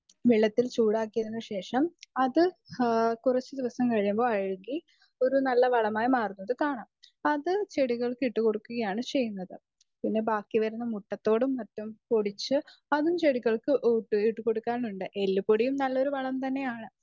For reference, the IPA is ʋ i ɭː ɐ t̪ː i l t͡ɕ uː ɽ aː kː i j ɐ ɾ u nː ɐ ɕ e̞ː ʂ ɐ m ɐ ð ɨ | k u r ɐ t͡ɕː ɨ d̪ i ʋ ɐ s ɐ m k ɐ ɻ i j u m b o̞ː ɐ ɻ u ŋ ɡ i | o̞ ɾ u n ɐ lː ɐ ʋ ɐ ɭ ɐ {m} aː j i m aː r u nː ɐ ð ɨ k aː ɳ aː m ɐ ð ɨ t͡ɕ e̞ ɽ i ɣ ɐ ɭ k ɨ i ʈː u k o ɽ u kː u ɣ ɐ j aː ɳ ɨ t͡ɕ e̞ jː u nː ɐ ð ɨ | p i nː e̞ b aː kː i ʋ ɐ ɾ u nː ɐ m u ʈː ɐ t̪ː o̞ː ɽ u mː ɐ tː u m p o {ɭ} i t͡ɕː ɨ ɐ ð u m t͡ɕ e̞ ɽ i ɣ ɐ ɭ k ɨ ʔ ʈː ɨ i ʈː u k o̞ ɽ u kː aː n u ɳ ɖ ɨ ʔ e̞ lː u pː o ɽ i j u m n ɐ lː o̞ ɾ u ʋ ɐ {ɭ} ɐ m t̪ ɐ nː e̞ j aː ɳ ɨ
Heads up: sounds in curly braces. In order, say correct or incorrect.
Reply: correct, incorrect, correct

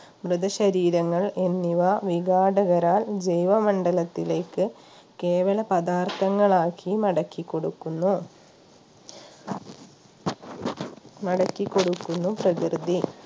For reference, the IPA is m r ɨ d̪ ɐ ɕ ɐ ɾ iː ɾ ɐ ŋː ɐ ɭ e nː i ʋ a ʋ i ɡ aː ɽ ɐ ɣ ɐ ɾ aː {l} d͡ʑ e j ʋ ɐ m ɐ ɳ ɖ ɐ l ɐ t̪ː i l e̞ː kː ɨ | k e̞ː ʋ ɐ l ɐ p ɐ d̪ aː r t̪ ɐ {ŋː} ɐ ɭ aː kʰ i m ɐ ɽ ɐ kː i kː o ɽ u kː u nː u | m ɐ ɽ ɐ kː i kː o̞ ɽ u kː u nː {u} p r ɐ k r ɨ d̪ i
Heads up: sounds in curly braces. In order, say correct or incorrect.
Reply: correct, correct, correct

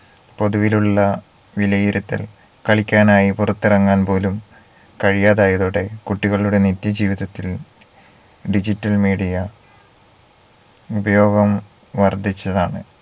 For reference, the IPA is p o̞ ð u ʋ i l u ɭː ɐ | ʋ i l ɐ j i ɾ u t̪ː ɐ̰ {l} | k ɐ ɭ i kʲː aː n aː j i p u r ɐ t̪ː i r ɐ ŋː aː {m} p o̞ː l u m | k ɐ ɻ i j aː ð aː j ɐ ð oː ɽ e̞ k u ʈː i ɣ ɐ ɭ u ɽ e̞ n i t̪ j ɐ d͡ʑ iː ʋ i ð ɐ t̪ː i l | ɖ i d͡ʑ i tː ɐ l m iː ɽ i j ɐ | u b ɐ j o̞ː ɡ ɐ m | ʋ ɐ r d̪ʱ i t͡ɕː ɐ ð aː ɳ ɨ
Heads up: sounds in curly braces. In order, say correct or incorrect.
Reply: correct, incorrect

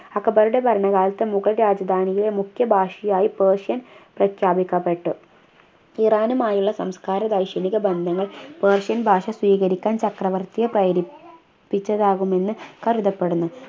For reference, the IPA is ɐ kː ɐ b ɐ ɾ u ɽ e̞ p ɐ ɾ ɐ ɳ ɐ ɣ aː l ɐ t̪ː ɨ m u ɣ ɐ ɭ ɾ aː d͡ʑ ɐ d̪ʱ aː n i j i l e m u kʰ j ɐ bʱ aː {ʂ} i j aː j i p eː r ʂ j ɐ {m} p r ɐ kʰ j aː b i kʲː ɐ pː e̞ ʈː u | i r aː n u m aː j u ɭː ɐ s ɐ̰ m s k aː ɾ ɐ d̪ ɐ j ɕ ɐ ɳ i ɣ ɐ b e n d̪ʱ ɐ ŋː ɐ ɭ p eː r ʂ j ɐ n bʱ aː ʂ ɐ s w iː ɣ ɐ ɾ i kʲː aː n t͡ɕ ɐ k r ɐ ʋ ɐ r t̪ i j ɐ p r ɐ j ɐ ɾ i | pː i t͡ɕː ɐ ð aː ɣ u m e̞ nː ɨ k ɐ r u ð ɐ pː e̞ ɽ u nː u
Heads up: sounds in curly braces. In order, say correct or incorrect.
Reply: correct, incorrect

